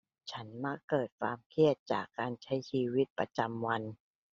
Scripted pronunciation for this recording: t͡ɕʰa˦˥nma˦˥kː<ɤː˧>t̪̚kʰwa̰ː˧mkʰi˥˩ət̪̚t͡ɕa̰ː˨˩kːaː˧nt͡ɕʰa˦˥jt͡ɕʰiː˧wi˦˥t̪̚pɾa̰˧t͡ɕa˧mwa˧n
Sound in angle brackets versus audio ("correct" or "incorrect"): incorrect